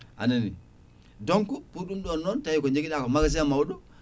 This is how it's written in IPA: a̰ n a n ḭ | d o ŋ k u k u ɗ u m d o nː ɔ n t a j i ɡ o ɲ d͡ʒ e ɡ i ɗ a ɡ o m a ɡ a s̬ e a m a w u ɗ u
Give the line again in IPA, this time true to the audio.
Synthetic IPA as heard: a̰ n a n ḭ | d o ŋ k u p u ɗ u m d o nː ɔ n t a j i k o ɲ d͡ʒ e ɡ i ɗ a k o m a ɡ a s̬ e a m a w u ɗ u

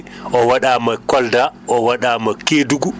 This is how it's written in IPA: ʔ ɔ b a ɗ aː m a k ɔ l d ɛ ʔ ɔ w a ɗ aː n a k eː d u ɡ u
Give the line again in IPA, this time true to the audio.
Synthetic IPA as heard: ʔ ɔ w a ɗ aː m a k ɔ l d a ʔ ɔ w a ɗ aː m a k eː d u ɡ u

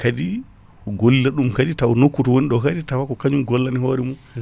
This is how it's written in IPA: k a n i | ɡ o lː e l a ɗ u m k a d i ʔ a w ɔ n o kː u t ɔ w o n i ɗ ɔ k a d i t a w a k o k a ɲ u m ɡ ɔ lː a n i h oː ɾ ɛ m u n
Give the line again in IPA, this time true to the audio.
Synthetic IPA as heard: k a d i | ɡ o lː i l a ɗ u m k a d i t a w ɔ n o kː u t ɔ w o n i ɗ ɔ k a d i t a w a k ɔ k a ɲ u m ɡ ɔ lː a n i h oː ɾ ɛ m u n

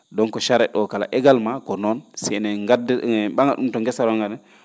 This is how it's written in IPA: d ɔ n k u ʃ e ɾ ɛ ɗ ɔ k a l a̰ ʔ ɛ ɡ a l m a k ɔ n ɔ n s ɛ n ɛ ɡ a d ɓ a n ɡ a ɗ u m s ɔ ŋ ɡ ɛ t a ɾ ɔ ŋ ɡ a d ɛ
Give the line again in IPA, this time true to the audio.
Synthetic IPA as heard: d ɔ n k ɔ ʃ a ɾ ɛ ɗ ɔ k a l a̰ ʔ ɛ ɡ a l m a k ɔ n ɔ n s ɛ n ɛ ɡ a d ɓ a ŋ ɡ a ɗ u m t ɔ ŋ ɡ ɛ s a ɾ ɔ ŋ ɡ a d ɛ

